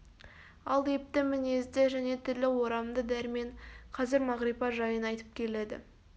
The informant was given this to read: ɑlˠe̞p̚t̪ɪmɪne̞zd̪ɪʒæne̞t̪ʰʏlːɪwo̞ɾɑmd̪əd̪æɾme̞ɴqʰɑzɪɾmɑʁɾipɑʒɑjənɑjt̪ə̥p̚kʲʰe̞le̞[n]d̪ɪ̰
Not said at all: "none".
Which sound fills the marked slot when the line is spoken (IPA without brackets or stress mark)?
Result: none